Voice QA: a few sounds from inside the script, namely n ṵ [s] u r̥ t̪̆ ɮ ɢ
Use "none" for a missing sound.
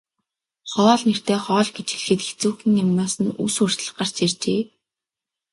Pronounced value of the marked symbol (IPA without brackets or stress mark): s